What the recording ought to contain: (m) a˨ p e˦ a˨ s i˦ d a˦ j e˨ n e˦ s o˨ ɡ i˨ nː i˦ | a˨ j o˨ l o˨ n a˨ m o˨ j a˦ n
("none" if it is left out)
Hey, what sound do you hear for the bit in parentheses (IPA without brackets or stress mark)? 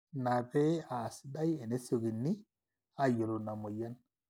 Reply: n